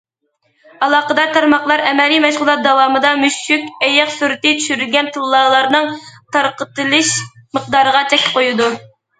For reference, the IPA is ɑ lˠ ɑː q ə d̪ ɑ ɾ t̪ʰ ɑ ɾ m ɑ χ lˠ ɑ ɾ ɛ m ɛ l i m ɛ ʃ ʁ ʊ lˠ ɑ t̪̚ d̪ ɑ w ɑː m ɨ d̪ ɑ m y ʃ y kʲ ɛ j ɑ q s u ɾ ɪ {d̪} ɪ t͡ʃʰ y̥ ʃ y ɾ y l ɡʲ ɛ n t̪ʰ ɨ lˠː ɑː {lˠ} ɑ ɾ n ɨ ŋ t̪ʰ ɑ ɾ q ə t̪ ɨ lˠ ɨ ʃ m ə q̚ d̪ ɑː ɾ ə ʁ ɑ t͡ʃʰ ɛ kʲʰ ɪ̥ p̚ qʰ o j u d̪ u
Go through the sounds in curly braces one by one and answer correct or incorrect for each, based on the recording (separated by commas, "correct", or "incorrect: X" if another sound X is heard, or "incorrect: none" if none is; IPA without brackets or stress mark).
incorrect: t̪, correct